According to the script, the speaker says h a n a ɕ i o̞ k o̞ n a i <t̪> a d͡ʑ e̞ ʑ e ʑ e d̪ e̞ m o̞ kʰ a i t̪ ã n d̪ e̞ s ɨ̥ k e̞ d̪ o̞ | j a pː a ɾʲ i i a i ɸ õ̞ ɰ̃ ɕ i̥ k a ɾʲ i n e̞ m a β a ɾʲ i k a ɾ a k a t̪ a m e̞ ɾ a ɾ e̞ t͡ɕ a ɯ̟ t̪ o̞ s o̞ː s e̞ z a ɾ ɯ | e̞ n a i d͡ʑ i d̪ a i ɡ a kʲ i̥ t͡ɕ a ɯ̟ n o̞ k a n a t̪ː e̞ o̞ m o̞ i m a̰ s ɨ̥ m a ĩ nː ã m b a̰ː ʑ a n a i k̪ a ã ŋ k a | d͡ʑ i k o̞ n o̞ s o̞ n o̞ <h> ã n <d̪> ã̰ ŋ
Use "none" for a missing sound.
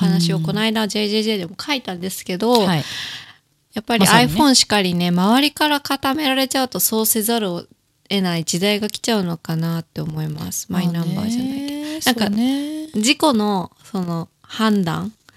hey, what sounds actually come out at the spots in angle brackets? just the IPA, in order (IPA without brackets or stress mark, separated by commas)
d̪, h, d̪